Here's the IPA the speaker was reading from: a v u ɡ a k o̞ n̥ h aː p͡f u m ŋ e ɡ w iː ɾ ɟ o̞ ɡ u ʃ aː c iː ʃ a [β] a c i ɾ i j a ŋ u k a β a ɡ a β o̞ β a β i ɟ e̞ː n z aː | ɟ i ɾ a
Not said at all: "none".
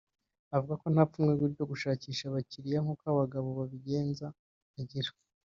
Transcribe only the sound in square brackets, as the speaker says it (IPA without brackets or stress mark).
β